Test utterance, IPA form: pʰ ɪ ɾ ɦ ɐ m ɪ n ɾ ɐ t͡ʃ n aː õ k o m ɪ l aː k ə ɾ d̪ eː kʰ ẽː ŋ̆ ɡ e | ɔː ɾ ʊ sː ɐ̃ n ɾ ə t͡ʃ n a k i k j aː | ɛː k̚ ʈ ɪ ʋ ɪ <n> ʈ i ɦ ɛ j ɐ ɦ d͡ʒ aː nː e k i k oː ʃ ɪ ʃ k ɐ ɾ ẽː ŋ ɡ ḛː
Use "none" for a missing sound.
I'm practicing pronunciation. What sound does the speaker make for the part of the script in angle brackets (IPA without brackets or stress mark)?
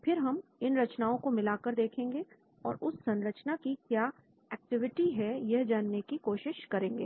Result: none